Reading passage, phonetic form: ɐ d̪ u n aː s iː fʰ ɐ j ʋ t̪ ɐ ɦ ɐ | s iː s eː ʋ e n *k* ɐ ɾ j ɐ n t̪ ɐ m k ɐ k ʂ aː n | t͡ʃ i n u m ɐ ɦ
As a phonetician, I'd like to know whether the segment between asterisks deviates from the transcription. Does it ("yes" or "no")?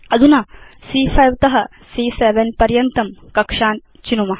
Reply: yes